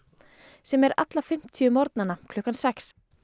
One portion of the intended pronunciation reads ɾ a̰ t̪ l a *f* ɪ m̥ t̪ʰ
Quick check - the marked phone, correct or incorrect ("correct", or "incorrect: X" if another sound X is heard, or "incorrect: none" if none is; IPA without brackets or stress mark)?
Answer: correct